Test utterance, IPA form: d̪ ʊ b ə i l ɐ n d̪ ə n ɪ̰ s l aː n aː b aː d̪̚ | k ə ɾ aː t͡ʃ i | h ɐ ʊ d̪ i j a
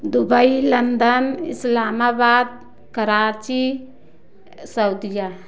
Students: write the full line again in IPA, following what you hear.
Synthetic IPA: d̪ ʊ b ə i l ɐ n d̪ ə n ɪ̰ s l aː m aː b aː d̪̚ | k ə ɾ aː t͡ʃ i | s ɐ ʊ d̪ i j a

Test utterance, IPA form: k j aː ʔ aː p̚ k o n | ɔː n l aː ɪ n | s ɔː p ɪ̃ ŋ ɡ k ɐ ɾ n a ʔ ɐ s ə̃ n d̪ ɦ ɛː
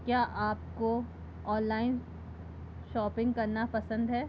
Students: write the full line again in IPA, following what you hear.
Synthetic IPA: k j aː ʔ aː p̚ k o | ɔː n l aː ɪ n | ʃ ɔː p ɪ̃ ŋ ɡ k ɐ ɾ n a p ɐ s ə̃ n d̪ ɦ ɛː

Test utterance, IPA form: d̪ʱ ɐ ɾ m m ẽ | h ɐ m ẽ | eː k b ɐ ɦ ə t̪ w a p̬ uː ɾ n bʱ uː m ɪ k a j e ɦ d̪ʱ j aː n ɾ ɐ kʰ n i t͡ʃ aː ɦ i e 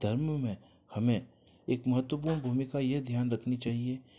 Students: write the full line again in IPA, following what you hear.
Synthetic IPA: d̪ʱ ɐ ɾ m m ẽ | h ɐ m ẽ | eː k m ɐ ɦ ə t̪ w ə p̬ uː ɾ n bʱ uː m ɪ k a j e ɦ d̪ʱ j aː n ɾ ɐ kʰ n i t͡ʃ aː ɦ i e

